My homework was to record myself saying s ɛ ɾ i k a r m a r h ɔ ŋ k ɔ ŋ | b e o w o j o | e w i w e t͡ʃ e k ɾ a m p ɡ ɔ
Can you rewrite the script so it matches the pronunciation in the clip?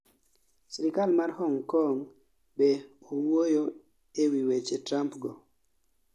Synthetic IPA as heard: s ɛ ɾ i k a l m a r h ɔ ŋ k ɔ ŋ | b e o w o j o | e w i w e t͡ʃ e t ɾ a m p ɡ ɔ